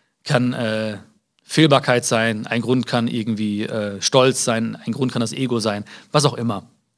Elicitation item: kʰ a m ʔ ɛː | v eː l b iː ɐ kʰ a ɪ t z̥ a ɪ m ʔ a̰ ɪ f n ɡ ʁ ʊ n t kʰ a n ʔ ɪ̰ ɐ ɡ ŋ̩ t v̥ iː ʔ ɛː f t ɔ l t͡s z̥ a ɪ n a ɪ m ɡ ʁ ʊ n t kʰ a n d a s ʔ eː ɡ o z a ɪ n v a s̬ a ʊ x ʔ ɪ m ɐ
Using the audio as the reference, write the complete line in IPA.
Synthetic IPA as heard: kʰ a n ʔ ɛː | f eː l b aː ɐ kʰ a ɪ t z̥ a ɪ n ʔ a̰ ɪ n ɡ ʁ ʊ n t kʰ a n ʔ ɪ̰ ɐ ɡ ŋ̩ t v̥ iː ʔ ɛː ʃ t ɔ l t͡s z̥ a ɪ n a ɪ n ɡ ʁ ʊ n t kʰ a n d a s ʔ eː ɡ o z a ɪ n v a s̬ a ʊ x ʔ ɪ m ɐ